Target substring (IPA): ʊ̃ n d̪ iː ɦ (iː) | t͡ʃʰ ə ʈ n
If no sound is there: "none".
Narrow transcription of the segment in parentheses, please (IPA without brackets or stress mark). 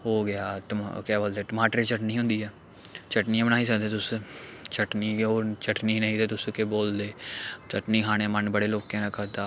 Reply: ɛː